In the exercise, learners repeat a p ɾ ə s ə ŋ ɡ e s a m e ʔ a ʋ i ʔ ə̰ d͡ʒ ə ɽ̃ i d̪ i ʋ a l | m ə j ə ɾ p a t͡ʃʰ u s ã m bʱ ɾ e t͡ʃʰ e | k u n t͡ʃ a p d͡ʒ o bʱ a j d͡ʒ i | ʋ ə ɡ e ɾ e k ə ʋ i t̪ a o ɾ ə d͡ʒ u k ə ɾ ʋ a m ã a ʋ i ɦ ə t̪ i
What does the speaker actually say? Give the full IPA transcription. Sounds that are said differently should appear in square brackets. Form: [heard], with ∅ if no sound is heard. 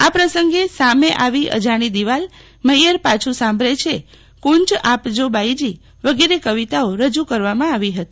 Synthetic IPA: a p ɾ ə s ə ŋ ɡ e s a m e ʔ a ʋ i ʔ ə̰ d͡ʒ [a] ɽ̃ i d̪ i ʋ a l | m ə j ə ɾ p a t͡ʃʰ u s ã m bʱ ɾ e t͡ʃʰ e | k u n t͡ʃ a p d͡ʒ o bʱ a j d͡ʒ i | ʋ ə ɡ e ɾ e k ə ʋ i t̪ a o ɾ ə d͡ʒ u k ə ɾ ʋ a m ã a ʋ i ɦ ə t̪ i